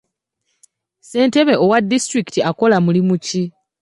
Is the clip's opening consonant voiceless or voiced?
voiceless